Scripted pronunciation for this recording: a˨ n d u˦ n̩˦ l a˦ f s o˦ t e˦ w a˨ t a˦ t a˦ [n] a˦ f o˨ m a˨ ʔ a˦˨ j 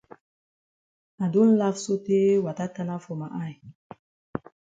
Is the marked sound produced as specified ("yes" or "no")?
yes